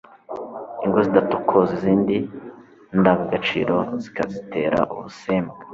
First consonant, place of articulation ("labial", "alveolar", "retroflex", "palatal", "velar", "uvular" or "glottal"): velar